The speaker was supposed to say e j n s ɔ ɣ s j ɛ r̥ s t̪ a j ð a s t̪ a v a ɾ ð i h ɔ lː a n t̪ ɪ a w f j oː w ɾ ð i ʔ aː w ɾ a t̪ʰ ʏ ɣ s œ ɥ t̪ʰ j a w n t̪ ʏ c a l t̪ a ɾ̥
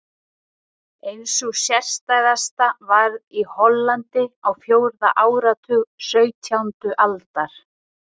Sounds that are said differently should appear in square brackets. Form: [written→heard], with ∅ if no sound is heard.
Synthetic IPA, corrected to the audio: e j n s ɔ ɣ s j ɛ r̥ s t̪ a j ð a s t̪ a v a ɾ ð i h ɔ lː a n t̪ ɪ a w f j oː w ɾ ð [i→a] ʔ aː w ɾ a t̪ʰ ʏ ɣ s œ ɥ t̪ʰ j a w n t̪ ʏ [c→ʔ] a l t̪ a ɾ̥

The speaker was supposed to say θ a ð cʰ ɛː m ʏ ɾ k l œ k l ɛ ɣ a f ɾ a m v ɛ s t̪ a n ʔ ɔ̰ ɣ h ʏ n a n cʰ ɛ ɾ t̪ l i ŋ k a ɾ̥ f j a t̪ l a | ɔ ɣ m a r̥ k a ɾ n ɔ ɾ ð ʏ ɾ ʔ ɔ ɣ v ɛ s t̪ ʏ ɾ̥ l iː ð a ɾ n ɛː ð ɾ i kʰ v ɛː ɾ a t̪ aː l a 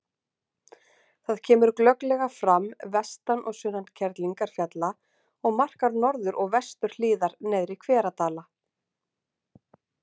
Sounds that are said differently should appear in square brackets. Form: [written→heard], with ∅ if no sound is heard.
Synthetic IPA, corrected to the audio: θ a ð cʰ ɛː m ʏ ɾ k l œ k l ɛ ɣ a f ɾ a m v ɛ s t̪ a n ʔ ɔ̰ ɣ [h→s] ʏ n a n cʰ ɛ ɾ t̪ l i ŋ k a ɾ̥ f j a t̪ l a | ɔ ɣ m a r̥ k a ɾ n ɔ ɾ ð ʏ ɾ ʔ ɔ ɣ v ɛ s t̪ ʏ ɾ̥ l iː ð a ɾ n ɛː ð ɾ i kʰ v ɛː ɾ a t̪ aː l a

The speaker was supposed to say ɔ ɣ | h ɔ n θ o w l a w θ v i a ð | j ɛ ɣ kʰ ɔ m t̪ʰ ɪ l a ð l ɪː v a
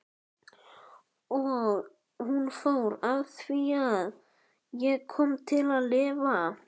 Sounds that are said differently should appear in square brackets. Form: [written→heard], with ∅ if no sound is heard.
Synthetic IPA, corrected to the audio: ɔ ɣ | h [ɔ→u] n [θ→f] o w [l→ɾ] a w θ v i a ð | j ɛ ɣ kʰ ɔ m t̪ʰ ɪ l a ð l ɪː v a

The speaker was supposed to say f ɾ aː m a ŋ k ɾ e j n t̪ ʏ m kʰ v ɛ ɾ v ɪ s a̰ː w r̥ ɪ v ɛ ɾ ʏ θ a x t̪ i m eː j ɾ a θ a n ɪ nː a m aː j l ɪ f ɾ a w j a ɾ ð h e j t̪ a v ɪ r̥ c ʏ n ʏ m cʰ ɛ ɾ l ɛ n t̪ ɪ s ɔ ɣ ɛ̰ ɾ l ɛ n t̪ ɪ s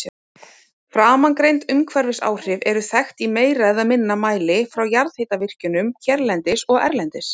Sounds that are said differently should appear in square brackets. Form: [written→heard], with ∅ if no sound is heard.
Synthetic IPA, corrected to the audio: f ɾ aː m a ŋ k ɾ e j n t̪ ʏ m kʰ v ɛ ɾ v ɪ s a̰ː w r̥ ɪ v ɛ ɾ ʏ θ [a→ɛ] x t̪ i m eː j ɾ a [θ→ð] a [n→m] ɪ nː a m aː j l ɪ f ɾ a w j a ɾ ð h e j t̪ a v ɪ r̥ c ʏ n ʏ m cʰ ɛ ɾ l ɛ n t̪ ɪ s ɔ ɣ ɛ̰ ɾ l ɛ n t̪ ɪ s

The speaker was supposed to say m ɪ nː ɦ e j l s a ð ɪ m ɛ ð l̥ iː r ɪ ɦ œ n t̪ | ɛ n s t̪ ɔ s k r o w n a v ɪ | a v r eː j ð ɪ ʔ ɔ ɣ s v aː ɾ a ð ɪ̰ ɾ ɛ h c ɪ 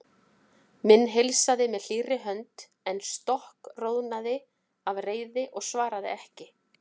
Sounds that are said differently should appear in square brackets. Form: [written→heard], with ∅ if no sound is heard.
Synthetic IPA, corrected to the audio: m ɪ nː ɦ e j l s a ð ɪ m ɛ ð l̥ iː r ɪ ɦ œ n t̪ | ɛ n s t̪ ɔ [s→h] k r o w n a [v→ð] ɪ | a v r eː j ð ɪ ʔ ɔ ɣ s v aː ɾ a ð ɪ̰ [ɾ→∅] ɛ h c ɪ

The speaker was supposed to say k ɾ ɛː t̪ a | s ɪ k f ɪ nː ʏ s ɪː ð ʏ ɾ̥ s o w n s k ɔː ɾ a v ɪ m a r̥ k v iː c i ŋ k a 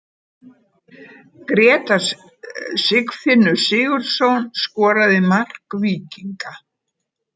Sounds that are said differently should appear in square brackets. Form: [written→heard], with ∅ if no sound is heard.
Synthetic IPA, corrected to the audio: k ɾ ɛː t̪ a | s ɪ k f ɪ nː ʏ s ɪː [ð→ɣ] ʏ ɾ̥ s o w n s k ɔː ɾ a [v→ð] ɪ m a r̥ k v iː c i ŋ k a

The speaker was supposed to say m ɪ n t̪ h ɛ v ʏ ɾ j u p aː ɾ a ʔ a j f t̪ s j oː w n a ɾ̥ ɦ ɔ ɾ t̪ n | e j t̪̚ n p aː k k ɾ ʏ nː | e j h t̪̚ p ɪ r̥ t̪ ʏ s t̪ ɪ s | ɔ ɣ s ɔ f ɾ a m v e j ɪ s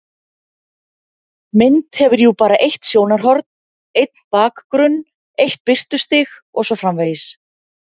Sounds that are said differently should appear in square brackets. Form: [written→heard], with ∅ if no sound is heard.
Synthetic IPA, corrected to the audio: m ɪ n t̪ h ɛ v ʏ ɾ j u p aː ɾ a ʔ [a→e] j [f→h] t̪ s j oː w n a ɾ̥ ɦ ɔ ɾ t̪ n | e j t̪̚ n p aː k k ɾ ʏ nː | e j h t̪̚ p ɪ r̥ t̪ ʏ s t̪ ɪ [s→x] | ɔ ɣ s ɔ f ɾ a m v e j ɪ s

